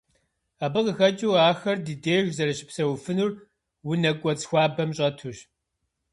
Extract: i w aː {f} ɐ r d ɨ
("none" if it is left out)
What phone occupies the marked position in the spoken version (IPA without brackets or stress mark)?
x